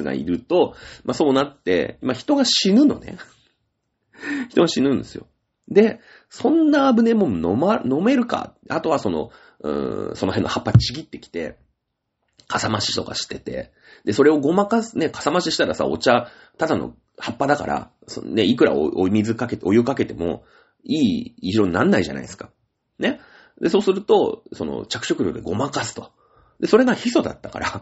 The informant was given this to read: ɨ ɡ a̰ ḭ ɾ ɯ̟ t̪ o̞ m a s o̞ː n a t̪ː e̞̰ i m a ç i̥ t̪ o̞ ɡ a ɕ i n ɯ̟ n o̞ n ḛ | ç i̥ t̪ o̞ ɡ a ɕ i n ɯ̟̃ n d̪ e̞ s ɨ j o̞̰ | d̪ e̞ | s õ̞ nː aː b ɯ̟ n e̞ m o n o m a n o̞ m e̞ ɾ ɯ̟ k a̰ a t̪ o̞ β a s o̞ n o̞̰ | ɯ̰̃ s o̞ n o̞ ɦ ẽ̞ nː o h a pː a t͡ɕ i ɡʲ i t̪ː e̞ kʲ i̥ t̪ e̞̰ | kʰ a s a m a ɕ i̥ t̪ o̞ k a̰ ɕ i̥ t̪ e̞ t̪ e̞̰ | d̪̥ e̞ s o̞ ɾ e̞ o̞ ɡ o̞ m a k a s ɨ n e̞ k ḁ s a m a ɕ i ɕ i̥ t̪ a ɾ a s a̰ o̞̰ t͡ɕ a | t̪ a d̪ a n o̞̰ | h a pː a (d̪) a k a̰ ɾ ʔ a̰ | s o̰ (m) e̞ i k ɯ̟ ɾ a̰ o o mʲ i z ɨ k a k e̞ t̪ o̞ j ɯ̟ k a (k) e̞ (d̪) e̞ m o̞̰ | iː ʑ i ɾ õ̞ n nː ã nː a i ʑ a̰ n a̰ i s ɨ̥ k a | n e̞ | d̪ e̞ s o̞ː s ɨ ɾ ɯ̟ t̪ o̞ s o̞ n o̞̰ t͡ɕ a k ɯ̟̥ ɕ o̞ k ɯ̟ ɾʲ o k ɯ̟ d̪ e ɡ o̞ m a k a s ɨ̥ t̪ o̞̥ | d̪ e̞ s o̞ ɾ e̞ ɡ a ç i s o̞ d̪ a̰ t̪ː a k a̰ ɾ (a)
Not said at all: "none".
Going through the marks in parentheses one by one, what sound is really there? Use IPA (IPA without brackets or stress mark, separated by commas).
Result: d̪, n, k, t̪, a